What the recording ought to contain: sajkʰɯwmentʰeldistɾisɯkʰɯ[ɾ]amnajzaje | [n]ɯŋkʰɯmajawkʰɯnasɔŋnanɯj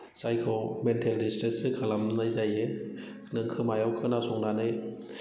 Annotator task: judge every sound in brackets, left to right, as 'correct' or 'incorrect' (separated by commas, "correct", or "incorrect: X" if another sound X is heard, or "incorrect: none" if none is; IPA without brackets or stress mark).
incorrect: l, correct